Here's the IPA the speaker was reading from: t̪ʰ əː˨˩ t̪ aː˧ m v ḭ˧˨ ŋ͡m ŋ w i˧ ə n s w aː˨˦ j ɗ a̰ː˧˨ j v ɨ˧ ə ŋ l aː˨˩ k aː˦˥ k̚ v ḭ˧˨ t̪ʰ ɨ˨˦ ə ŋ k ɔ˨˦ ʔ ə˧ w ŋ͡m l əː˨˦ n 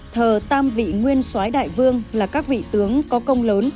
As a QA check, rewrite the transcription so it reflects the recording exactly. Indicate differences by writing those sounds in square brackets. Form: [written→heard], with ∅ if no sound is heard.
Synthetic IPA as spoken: t̪ʰ əː˨˩ t̪ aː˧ m v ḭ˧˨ [ŋ͡m→∅] ŋ w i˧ ə n s w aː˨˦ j ɗ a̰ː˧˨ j v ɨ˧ ə ŋ l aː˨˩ k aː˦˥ k̚ v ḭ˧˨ [t̪ʰ→t̪] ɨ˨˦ ə ŋ k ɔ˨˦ [ʔ→k] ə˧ w ŋ͡m l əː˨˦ n

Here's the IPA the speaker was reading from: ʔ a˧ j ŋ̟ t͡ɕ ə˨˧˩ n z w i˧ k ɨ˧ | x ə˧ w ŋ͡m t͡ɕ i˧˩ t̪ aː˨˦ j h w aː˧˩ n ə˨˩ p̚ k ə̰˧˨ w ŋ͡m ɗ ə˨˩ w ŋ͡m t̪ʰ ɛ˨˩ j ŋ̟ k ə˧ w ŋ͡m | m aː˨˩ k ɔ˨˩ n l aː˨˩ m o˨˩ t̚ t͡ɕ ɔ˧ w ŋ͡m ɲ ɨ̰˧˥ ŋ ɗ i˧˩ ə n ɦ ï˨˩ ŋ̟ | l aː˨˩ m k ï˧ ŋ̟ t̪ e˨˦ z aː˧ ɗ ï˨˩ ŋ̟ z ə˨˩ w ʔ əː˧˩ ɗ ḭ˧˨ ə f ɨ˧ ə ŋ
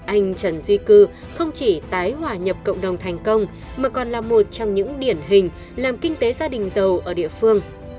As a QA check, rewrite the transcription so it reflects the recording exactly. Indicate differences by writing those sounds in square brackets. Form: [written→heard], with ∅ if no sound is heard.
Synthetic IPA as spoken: ʔ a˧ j ŋ̟ t͡ɕ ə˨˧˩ n z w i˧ k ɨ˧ | x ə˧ w ŋ͡m t͡ɕ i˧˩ t̪ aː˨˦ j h w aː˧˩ [n→ɲ] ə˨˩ p̚ k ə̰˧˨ w ŋ͡m ɗ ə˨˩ w ŋ͡m t̪ʰ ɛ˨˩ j ŋ̟ k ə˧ w ŋ͡m | m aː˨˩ k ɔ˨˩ n l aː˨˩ m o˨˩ t̚ t͡ɕ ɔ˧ w ŋ͡m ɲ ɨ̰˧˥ ŋ ɗ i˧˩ ə n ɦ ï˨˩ ŋ̟ | l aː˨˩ m k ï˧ ŋ̟ t̪ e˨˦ z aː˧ ɗ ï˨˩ ŋ̟ z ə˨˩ w ʔ əː˧˩ ɗ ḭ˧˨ ə f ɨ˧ ə ŋ

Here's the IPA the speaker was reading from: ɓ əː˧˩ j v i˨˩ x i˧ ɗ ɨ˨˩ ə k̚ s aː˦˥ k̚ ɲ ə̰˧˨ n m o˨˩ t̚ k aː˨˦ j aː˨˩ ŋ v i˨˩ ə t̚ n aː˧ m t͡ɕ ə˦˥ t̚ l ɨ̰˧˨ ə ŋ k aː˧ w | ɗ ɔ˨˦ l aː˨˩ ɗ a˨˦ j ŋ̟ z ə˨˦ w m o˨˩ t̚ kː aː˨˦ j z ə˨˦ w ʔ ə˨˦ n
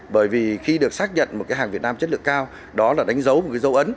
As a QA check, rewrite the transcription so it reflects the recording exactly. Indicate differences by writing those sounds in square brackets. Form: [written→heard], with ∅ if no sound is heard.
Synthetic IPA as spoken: ɓ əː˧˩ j v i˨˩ x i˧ ɗ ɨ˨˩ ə k̚ s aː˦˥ k̚ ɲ ə̰˧˨ n m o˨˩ t̚ k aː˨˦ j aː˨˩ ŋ v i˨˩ ə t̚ n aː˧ m t͡ɕ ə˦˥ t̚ l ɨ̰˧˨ ə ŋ k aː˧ w | ɗ ɔ˨˦ l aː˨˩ ɗ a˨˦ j ŋ̟ z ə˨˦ w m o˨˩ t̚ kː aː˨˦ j z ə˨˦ w ʔ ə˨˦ n

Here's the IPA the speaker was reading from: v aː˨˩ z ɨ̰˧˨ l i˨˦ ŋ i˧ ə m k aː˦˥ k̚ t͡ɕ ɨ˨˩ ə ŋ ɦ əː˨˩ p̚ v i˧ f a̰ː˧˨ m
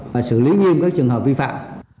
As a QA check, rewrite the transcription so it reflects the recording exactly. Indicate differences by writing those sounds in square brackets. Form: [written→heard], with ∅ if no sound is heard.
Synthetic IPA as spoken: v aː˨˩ [z→s] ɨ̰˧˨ l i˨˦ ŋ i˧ ə m k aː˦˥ k̚ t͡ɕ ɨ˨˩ ə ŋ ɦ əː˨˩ p̚ v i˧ f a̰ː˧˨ m

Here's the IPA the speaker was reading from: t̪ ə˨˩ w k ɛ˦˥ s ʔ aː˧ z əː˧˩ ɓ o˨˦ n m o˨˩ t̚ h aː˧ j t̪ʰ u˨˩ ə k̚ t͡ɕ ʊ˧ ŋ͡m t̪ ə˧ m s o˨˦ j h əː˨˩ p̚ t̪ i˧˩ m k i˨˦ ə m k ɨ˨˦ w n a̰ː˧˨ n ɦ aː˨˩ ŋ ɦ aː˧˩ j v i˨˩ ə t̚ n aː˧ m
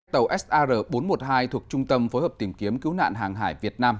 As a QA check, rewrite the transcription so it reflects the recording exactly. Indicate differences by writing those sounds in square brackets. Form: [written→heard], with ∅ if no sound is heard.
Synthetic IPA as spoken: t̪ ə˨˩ w [k→ʔ] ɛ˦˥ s ʔ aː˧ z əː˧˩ ɓ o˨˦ n m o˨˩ t̚ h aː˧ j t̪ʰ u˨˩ ə k̚ t͡ɕ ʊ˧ ŋ͡m t̪ ə˧ m [s→f] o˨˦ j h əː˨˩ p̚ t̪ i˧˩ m k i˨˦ ə m k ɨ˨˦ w n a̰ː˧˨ n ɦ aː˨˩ ŋ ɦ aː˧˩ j v i˨˩ ə t̚ n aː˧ m

